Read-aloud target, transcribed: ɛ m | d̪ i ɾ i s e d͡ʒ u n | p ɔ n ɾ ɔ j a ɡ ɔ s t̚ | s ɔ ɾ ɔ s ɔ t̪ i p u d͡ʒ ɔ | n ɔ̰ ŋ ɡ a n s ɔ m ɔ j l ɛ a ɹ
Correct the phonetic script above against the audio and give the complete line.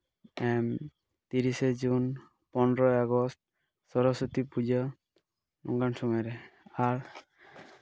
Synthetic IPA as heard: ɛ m | t̪ i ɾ i s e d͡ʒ u n | p ɔ n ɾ ɔ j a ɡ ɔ s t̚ | s ɔ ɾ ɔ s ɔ t̪ i p u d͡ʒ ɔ | n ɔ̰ ŋ ɡ a n s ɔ m ɔ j ɾ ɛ a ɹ